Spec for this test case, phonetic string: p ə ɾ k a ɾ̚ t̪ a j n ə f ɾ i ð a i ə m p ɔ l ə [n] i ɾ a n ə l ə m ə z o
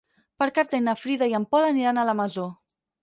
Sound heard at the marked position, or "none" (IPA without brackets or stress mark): n